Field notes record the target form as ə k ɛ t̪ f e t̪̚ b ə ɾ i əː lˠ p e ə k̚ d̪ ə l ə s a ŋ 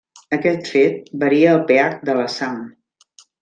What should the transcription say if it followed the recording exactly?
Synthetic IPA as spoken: ə k ɛ t̪ f e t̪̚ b ə ɾ i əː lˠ p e a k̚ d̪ ə l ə s a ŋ